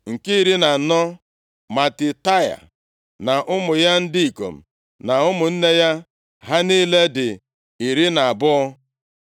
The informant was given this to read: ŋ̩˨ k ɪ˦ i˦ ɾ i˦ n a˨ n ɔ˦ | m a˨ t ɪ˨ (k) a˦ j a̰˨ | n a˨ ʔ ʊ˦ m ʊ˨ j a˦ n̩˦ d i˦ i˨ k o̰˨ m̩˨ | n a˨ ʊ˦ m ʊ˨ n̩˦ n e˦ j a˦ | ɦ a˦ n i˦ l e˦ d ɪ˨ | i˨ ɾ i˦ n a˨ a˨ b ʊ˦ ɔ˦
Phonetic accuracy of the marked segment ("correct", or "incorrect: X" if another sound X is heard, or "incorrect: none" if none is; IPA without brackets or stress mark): incorrect: t